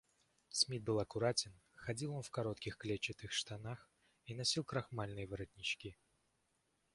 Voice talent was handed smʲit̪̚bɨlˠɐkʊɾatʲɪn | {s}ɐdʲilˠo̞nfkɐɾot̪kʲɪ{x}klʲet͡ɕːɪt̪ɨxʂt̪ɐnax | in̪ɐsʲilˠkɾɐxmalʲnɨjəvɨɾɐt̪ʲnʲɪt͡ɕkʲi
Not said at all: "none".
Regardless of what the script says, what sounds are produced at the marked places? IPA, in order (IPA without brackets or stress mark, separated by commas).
x, x